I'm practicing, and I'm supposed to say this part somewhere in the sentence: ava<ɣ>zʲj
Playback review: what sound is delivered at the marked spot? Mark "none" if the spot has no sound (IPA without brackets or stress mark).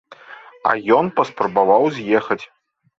w